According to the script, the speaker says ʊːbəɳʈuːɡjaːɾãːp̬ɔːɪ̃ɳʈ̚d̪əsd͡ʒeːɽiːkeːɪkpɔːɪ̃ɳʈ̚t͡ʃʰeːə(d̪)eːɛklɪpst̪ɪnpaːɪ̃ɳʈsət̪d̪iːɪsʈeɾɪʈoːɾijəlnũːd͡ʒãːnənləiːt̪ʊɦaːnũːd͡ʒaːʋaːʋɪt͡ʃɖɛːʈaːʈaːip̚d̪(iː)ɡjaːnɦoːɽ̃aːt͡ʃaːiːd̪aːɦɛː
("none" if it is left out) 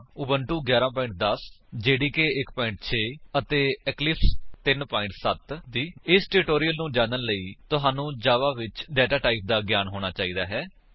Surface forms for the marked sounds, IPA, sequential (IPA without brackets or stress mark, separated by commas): t̪, aː